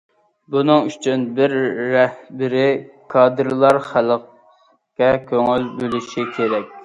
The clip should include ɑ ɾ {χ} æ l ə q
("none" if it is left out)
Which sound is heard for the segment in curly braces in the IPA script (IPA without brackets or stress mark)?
χ